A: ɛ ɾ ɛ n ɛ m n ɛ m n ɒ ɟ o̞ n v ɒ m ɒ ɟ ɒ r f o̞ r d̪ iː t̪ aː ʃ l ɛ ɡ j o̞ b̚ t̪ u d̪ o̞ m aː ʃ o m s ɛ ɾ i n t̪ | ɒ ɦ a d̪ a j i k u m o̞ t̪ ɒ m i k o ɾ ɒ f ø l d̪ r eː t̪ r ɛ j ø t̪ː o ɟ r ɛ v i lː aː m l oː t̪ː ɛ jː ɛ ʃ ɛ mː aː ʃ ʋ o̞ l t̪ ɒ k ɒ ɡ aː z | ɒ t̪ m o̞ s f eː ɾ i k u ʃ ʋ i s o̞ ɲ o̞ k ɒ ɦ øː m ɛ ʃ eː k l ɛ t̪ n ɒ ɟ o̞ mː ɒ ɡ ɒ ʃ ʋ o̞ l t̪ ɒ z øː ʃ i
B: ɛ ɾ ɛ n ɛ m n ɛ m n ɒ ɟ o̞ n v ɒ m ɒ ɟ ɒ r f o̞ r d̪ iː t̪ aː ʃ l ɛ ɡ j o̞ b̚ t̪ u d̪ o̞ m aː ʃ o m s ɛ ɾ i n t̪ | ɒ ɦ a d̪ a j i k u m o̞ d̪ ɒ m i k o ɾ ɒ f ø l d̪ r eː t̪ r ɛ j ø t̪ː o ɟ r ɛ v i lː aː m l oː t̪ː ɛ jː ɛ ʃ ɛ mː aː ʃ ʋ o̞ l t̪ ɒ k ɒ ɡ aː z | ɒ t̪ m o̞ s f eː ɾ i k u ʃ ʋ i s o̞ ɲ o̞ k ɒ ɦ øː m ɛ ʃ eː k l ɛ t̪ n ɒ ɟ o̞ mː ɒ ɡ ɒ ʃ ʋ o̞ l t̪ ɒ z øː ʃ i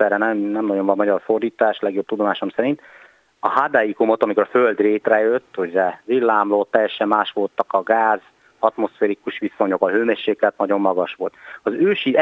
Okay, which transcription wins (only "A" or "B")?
A